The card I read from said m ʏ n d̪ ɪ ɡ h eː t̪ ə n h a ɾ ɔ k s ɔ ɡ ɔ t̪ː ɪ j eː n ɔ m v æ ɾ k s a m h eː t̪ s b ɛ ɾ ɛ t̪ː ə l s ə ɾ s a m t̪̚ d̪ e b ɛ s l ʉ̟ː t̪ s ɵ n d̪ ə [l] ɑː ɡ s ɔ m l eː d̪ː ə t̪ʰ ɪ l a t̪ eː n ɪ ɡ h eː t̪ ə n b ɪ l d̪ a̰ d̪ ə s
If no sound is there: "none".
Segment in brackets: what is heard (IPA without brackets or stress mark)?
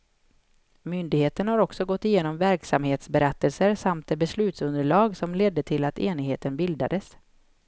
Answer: ɭ